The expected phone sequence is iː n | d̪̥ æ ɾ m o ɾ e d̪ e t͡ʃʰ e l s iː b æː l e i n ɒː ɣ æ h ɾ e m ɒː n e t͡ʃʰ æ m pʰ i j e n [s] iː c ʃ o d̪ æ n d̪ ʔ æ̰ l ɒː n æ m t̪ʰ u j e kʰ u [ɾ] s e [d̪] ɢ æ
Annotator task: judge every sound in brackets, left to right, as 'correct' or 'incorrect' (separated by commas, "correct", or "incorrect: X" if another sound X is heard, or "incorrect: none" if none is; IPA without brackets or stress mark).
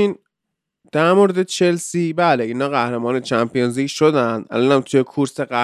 incorrect: z, correct, incorrect: none